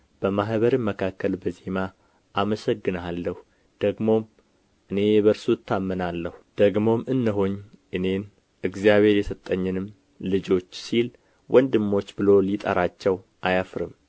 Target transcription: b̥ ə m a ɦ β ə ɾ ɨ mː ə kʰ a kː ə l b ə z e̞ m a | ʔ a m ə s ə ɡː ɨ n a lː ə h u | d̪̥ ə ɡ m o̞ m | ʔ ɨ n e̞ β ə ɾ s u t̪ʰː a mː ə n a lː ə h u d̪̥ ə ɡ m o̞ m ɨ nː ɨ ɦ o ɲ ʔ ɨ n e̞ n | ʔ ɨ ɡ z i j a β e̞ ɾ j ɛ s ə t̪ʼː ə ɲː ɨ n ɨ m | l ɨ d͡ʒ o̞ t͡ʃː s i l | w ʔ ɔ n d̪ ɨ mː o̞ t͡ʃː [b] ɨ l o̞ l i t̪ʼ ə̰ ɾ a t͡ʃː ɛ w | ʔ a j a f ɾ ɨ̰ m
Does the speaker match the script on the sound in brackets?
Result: yes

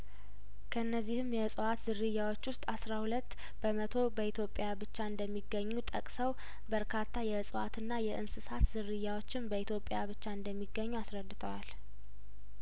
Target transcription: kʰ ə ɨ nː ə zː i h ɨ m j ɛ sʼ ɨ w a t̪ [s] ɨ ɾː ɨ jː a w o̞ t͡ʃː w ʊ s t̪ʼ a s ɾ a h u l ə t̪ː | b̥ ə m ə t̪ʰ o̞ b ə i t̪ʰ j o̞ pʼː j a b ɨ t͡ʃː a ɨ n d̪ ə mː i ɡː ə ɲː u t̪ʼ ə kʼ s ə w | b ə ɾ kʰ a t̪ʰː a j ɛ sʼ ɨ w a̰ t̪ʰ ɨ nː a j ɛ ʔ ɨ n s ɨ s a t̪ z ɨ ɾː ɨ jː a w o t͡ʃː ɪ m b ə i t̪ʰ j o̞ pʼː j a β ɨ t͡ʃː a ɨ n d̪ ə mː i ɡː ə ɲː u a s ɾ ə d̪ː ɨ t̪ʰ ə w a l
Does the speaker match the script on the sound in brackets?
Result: no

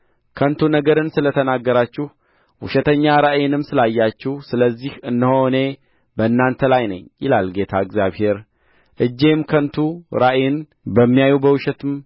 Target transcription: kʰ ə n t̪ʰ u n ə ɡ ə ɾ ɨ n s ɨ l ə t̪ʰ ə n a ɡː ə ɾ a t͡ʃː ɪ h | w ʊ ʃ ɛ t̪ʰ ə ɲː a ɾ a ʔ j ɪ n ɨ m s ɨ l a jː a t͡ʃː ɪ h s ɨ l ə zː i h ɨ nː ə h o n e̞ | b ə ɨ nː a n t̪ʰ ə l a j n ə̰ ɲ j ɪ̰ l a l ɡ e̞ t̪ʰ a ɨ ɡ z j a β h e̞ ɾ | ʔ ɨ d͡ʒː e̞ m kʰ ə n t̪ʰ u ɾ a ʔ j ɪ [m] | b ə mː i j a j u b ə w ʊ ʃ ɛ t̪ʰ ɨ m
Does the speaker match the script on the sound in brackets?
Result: no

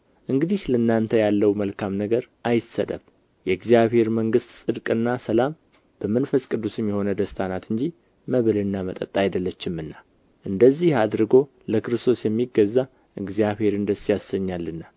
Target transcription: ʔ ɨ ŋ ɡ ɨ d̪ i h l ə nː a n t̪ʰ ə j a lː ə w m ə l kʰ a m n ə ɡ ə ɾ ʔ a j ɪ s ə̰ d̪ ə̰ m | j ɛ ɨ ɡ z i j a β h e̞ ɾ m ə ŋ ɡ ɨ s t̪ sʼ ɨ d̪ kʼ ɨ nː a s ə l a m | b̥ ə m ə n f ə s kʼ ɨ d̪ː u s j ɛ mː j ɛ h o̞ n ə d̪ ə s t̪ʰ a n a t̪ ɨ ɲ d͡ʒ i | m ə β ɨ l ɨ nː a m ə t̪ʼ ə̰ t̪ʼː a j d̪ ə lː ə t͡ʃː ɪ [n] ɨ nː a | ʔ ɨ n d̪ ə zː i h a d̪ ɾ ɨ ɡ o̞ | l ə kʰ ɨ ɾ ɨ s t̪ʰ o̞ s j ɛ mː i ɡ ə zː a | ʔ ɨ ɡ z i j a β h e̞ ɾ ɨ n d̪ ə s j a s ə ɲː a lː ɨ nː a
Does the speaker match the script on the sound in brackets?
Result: no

